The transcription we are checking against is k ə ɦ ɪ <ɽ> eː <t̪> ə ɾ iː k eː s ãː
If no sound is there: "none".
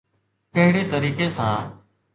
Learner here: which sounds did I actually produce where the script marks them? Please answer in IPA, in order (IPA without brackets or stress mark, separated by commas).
ɽ, t̪